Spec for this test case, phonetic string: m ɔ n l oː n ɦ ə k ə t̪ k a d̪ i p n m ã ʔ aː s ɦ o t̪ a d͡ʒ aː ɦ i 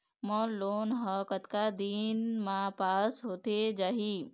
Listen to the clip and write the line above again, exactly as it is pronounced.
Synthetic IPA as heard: m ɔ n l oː n ɦ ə k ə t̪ k a d̪ i n m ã p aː s ɦ o t̪ e d͡ʒ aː ɦ i